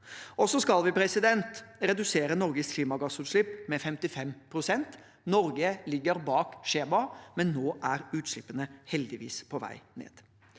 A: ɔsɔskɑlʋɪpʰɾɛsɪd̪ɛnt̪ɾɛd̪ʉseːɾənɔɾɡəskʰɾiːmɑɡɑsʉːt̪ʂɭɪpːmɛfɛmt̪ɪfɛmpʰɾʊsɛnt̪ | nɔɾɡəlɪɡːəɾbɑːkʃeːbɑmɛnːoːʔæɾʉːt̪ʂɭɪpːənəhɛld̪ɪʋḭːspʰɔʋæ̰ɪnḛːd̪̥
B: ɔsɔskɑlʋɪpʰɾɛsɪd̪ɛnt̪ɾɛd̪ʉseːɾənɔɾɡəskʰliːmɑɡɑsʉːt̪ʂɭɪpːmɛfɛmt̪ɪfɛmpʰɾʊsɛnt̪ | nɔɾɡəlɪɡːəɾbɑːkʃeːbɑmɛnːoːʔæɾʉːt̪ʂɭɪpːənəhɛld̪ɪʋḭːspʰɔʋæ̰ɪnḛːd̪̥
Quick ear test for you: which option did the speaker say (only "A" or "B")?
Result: B